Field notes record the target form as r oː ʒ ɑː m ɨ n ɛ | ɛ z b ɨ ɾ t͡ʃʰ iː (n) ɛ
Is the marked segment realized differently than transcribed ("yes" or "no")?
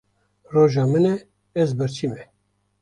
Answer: yes